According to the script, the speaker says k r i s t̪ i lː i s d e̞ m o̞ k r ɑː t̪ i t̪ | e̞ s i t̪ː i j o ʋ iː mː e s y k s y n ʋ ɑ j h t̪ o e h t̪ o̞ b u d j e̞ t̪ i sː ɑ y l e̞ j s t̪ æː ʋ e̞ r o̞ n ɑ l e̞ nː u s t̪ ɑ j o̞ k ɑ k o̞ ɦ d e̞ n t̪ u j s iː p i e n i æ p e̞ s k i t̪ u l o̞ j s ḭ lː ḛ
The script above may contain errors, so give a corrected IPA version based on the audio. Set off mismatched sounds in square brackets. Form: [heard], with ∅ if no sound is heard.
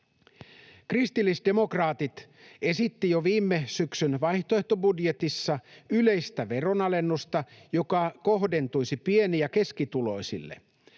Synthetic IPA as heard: k r i s t̪ i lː i s d e̞ m o̞ k r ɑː t̪ i t̪ | e̞ s i t̪ː i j o ʋ iː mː e s y k s y n ʋ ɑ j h t̪ o e h t̪ o̞ b u d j e̞ t̪ i sː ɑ y l e̞ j s t̪ [æ] ʋ e̞ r o̞ n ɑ l e̞ nː u s t̪ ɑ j o̞ k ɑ k o̞ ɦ d e̞ n t̪ u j s [i] p i e n i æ [k] e̞ s k i t̪ u l o̞ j s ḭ lː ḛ

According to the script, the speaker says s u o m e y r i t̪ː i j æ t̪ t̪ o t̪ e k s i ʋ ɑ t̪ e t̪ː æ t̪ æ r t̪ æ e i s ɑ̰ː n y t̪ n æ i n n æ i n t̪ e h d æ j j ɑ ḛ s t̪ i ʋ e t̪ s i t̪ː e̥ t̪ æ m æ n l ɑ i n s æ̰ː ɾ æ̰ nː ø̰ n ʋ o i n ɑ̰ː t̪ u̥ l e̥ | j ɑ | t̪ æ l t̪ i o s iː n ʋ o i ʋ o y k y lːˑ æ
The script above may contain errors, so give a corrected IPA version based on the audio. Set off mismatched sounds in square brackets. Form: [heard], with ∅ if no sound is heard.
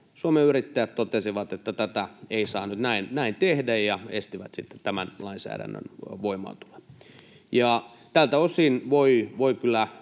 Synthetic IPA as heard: s u o m e y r i t̪ː [æ] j æ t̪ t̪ o t̪ e [∅] s i ʋ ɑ t̪ e t̪ː æ t̪ æ [∅] t̪ æ e i s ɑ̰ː n y t̪ n æ i n n æ i n t̪ e h d æ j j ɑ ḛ s t̪ i ʋ [æ] t̪ s i t̪ː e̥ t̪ æ m æ n l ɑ i n s æ̰ː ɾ æ̰ nː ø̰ n ʋ o i [m] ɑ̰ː t̪ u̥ l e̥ | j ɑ | t̪ æ l t̪ [æ] o s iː n ʋ o i ʋ o [i] k y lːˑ æ

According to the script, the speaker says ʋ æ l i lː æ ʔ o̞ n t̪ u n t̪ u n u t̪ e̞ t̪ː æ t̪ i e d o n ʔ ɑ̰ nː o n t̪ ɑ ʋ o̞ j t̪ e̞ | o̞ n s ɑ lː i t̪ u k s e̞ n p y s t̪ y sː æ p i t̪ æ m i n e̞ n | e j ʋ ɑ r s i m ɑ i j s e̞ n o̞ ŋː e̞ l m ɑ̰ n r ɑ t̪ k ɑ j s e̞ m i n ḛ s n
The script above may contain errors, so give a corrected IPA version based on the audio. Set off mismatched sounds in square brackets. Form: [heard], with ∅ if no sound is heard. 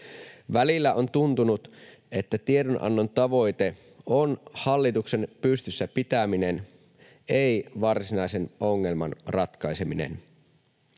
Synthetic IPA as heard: ʋ æ l i lː æ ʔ o̞ n t̪ u n t̪ u n u t̪ e̞ t̪ː æ t̪ i e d o n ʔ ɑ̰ nː o n t̪ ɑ ʋ o̞ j t̪ e̞ | o̞ n [h] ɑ lː i t̪ u k s e̞ n p y s t̪ y sː æ p i t̪ æ m i n e̞ n | e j ʋ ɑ r s i [n] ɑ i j s e̞ n o̞ ŋː e̞ l m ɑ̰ n r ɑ t̪ k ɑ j s e̞ m i n ḛ [∅] n

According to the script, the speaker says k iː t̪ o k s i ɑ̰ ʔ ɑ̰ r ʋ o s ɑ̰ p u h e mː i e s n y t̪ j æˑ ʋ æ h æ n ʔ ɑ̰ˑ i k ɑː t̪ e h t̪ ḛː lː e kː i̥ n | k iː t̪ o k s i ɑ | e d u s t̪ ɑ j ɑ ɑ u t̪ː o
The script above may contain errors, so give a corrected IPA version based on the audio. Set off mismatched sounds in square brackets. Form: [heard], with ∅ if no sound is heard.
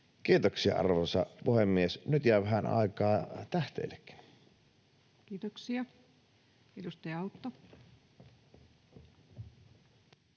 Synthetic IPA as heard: k iː t̪ o k s i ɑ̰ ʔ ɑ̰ r ʋ o s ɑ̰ p u h e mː i e s n y t̪ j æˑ ʋ æ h æ n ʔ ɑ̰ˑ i k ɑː t̪ [æ] h t̪ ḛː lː e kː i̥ n | k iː t̪ o k s i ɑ | e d u s t̪ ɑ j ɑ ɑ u t̪ː o

